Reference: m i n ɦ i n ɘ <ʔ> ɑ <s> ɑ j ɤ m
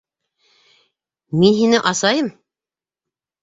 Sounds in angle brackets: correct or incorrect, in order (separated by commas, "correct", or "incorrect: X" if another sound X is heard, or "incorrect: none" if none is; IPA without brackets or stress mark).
correct, correct